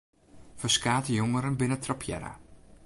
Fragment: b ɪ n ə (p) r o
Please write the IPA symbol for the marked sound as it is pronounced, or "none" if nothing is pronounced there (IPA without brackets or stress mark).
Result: t